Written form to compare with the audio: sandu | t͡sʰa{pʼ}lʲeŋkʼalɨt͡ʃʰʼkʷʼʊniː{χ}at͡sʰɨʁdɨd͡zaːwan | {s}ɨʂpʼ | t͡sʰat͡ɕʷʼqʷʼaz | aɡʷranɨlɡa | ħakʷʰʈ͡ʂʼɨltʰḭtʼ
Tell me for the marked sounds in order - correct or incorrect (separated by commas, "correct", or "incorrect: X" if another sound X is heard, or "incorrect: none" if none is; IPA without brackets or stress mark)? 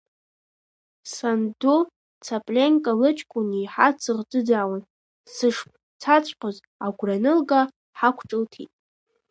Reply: correct, incorrect: ħ, correct